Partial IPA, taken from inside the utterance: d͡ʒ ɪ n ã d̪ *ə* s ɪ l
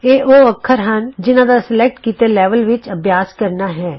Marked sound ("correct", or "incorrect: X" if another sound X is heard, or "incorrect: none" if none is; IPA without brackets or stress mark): incorrect: a